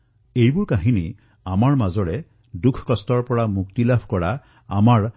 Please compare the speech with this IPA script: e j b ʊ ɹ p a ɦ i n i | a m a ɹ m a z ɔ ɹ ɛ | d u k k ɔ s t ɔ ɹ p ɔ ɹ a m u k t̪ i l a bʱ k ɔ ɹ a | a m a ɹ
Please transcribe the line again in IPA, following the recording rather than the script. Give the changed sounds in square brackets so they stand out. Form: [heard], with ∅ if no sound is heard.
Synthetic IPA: e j b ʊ ɹ [k] a ɦ i n i | a m a ɹ m a z ɔ ɹ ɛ | d u [kʰ] k ɔ s t ɔ ɹ p ɔ ɹ a m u k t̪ i l a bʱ k ɔ ɹ a | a m a ɹ